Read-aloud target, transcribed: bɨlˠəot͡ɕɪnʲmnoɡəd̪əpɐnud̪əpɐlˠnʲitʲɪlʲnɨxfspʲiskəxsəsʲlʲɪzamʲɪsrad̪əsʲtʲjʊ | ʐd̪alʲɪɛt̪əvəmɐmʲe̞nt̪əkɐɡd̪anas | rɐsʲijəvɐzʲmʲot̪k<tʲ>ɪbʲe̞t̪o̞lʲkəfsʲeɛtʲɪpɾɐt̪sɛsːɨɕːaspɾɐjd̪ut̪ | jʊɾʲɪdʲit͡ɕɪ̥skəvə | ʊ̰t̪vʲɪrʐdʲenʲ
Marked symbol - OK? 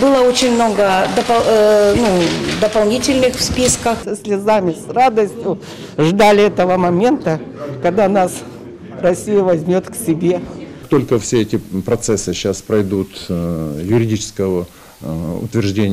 no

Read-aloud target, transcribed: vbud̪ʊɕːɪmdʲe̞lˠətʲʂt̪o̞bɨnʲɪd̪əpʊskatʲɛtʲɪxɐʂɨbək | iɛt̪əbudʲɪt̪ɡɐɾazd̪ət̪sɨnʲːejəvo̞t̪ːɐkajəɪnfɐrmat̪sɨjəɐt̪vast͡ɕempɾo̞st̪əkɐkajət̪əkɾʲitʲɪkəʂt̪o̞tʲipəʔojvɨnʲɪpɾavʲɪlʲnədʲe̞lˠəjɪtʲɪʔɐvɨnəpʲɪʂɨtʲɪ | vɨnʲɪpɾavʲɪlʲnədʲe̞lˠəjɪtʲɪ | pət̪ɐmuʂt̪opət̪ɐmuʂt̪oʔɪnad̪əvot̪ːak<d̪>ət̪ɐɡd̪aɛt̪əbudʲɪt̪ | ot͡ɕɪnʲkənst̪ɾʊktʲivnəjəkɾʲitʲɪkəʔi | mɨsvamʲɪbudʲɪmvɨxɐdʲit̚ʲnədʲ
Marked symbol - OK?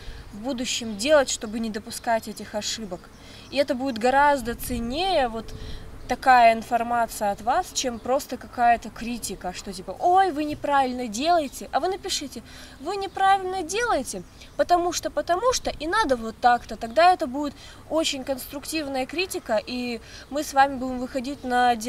no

